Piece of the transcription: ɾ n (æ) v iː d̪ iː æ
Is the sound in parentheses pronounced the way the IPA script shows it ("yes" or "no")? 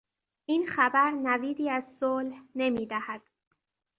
yes